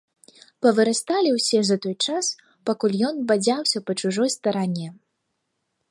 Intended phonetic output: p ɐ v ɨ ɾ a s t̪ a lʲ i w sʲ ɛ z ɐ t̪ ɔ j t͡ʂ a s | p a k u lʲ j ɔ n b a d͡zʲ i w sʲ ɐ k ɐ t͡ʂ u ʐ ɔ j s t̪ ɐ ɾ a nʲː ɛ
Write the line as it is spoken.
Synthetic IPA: p ɐ v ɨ ɾ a s t̪ a lʲ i w sʲ ɛ z ɐ t̪ ɔ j t͡ʂ a s | p a k u lʲ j ɔ n b a d͡zʲ a w sʲ ɐ p ɐ t͡ʂ u ʐ ɔ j s t̪ ɐ ɾ a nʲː ɛ

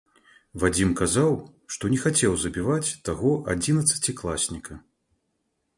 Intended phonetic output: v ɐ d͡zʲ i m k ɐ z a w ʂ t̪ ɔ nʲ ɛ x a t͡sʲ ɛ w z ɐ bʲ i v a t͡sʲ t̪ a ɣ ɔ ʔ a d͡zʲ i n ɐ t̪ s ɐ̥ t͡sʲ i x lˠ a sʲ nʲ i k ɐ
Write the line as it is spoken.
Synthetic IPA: v a d͡zʲ i m k a z a w ʂ t̪ ɔ nʲ ɛ x a t͡sʲ ɛ w z ɐ bʲ i v a t͡sʲ t̪ a ɣ ɔ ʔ a d͡zʲ i n ɐ t̪ s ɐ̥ t͡sʲ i k lˠ a sʲ nʲ i k ɐ

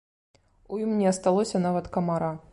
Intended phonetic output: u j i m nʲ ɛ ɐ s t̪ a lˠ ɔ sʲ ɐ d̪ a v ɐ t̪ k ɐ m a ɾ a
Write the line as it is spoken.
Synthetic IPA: u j i m nʲ ɛ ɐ s t̪ a lˠ ɔ sʲ ɐ n̪ a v ɐ t̪ k ɐ m a ɾ a

